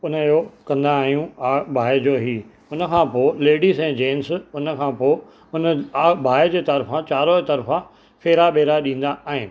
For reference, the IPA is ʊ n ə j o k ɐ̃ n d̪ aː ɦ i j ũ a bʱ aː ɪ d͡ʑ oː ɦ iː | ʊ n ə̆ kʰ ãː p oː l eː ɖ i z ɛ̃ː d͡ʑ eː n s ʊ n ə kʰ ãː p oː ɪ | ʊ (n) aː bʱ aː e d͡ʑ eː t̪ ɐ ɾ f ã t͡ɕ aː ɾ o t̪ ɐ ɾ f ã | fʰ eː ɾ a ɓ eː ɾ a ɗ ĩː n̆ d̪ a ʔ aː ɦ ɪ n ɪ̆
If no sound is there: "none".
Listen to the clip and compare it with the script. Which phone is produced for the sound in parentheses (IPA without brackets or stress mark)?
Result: n